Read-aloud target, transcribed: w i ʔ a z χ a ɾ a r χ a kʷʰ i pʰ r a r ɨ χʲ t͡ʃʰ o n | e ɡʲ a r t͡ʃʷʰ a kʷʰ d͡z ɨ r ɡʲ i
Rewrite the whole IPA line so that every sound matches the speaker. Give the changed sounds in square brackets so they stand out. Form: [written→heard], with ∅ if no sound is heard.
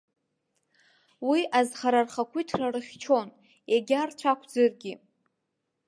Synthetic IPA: w i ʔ a z χ a ɾ a r χ a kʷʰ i [pʰ→tʰ] r a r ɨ χʲ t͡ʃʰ o n | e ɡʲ a r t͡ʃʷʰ a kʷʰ d͡z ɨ r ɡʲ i

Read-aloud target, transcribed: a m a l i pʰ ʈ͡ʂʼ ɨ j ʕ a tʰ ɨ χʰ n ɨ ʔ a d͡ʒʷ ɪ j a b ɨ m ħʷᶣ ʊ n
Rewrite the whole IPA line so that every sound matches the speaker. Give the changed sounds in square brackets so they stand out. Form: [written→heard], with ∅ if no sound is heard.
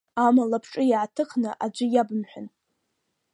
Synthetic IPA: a m a l [i→a] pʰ ʈ͡ʂʼ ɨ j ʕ a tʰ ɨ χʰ n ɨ ʔ a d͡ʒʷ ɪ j a b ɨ m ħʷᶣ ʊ n

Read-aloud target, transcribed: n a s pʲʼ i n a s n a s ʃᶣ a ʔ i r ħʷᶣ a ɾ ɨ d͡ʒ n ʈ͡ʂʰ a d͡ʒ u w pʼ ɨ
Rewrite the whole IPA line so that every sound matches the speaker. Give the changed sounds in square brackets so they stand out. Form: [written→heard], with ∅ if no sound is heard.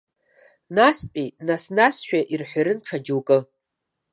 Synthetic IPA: n a s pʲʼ i n a s n a s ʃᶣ a ʔ i r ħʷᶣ a ɾ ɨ [d͡ʒ→∅] n ʈ͡ʂʰ a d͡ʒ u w [pʼ→kʼ] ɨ

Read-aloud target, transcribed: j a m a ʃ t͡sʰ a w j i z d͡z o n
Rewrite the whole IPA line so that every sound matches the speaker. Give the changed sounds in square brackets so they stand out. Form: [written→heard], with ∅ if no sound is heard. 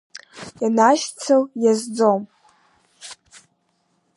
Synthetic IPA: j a [m→n] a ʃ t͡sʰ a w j [i→a] z d͡z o [n→m]

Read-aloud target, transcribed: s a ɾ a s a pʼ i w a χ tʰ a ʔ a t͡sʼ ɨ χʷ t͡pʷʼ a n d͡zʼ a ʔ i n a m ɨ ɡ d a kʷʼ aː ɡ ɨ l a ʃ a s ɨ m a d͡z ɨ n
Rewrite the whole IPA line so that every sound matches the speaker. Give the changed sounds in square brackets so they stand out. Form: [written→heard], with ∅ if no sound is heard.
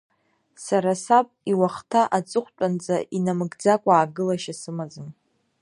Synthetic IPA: s a ɾ a s a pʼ i w a χ tʰ a ʔ a t͡sʼ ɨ χʷ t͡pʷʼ a n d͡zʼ a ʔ i n a m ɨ ɡ [d→d͡z] a kʷʼ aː ɡ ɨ l a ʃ a s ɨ m a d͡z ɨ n

